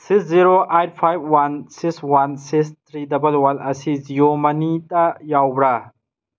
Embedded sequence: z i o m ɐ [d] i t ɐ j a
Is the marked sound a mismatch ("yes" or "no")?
yes